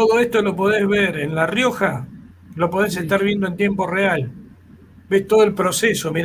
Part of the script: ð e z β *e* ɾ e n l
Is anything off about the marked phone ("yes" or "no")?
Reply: no